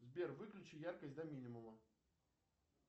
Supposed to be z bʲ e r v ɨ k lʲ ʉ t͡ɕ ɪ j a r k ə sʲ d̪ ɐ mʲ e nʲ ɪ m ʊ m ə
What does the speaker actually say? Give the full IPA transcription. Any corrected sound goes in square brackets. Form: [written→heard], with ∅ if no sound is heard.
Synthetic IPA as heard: z bʲ e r v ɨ k lʲ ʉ t͡ɕ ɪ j a r k ə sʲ d̪ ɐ mʲ [e→i] nʲ ɪ m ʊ m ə